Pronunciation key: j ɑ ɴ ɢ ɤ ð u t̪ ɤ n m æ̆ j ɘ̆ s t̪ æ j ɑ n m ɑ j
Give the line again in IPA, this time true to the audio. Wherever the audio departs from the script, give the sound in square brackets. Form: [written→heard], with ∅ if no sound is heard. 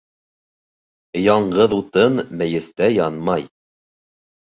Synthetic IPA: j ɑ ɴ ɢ ɤ ð u t̪ ɤ n m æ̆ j ɘ̆ s t̪ æ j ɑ n m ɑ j